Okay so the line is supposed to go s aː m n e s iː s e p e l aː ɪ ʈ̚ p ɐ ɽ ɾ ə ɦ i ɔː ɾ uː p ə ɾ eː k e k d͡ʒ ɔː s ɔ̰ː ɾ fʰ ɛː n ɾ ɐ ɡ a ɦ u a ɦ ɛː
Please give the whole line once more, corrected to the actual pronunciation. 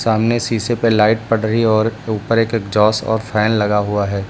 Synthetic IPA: s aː m n e s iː s e p e l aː ɪ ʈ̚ p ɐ ɽ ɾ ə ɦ i ɔː ɾ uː p ə ɾ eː k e k d͡ʒ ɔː s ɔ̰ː ɾ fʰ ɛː n l ɐ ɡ a ɦ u a ɦ ɛː